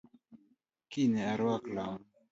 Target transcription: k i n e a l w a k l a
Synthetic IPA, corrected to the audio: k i n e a ɾ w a k l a